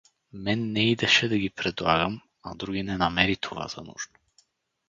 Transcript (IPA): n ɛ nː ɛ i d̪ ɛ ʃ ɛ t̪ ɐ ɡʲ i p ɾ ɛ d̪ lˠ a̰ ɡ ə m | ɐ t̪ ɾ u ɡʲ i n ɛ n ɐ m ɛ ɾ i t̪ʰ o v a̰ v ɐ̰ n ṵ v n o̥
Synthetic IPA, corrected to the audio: m ɛ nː ɛ i d̪ ɛ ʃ ɛ d̪ ɐ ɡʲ i p ɾ ɛ d̪ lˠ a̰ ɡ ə m | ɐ d̪ ɾ u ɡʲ i n ɛ n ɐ m ɛ ɾ i t̪ʰ o v a̰ z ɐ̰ n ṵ ʒ n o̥